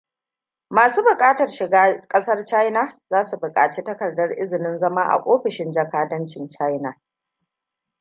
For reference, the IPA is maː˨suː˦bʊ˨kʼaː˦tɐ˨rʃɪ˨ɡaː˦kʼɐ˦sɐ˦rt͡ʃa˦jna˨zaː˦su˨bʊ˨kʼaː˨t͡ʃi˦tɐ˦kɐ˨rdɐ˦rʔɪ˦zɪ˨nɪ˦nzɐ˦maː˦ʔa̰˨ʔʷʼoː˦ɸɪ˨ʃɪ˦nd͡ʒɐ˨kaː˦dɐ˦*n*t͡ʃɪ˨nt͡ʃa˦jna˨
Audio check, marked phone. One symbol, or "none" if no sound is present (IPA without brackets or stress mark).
n